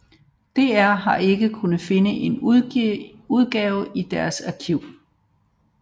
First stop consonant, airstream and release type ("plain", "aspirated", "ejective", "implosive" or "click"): plain